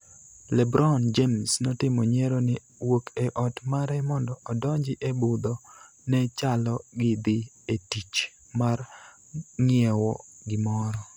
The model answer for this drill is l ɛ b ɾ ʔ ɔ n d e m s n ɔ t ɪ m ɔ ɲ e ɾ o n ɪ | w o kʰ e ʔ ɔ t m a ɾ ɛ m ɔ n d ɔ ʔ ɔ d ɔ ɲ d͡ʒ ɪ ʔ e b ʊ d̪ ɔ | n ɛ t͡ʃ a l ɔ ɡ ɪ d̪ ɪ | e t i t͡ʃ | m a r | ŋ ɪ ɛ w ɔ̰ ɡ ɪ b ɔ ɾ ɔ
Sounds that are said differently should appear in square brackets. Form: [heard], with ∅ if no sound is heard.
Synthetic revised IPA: l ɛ b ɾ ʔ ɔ n [d͡ʒ] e m s n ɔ t ɪ m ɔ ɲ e ɾ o n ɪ | w o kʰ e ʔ ɔ t m a ɾ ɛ m ɔ n d ɔ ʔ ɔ d ɔ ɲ d͡ʒ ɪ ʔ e b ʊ d̪ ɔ | n ɛ t͡ʃ a l ɔ ɡ ɪ d̪ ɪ | e t i t͡ʃ | m a r | ŋ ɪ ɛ w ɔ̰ ɡ ɪ [m] ɔ ɾ ɔ